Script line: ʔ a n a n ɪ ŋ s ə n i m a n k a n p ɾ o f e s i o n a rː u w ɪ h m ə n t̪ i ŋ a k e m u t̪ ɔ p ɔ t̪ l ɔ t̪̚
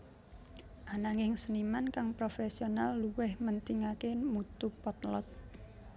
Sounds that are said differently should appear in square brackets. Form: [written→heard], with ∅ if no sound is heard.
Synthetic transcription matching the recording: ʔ a n a [n→ŋ] ɪ ŋ s ə n i m a n k a [n→ŋ] p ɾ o f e s i o n a [rː→lː] u w ɪ h m ə n t̪ i ŋ a k e m u t̪ [ɔ→u] p ɔ t̪ l ɔ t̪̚

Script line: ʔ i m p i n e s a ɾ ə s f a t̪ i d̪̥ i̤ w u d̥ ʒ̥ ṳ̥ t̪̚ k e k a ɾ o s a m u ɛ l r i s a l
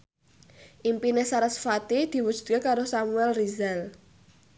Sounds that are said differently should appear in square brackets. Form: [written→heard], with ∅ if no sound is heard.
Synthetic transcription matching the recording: ʔ i m p i n e s a ɾ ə s f a t̪ i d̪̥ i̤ w u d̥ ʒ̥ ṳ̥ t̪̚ k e k a ɾ o s a m u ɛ l r i [s→z] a l

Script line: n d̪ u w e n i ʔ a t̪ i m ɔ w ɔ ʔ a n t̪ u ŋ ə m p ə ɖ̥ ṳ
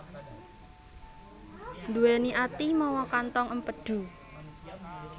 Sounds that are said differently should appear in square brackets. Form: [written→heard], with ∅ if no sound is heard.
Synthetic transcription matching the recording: n d̪ u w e n i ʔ a t̪ i m ɔ w ɔ [ʔ→k] a n t̪ [u→ɔ] ŋ ə m p ə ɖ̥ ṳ

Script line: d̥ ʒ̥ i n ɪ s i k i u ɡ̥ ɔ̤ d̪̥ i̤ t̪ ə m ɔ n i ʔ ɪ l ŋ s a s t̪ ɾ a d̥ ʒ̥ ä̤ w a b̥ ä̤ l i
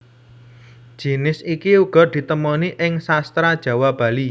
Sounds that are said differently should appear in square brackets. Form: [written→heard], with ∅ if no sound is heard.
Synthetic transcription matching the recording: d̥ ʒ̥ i n ɪ s i k i u ɡ̥ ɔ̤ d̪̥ i̤ t̪ ə m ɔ n i ʔ ɪ [l→∅] ŋ s a s t̪ ɾ a d̥ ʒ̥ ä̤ w a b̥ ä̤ l i

